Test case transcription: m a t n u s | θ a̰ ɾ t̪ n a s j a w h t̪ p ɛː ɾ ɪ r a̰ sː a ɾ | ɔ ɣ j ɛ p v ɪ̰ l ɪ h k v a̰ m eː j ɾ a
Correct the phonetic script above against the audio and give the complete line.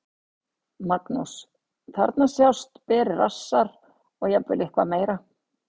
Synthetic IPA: m a k n u s | θ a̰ ɾ t̪ n a s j a w s t̪ p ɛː ɾ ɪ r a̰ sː a ɾ | ɔ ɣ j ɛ p v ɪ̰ l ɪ h k v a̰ m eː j ɾ a